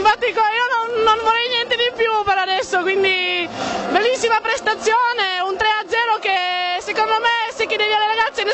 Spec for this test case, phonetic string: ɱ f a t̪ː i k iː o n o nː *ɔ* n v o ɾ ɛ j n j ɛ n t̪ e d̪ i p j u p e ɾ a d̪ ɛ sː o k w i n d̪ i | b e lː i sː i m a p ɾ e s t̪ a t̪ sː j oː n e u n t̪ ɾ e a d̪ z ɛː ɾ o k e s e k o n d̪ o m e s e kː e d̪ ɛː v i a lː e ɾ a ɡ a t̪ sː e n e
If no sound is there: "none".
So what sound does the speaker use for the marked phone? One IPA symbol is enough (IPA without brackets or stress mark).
o